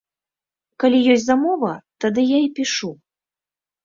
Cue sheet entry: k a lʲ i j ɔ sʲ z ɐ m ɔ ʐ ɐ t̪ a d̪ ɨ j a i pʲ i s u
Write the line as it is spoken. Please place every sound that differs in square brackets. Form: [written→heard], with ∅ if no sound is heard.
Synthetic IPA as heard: k a lʲ i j ɔ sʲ z [ɐ→a] m ɔ [ʐ→v] ɐ t̪ a d̪ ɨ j a i pʲ i [s→ʂ] u